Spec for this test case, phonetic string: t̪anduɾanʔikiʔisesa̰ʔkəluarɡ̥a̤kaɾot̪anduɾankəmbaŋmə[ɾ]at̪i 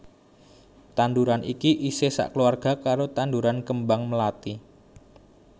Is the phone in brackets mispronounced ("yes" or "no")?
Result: yes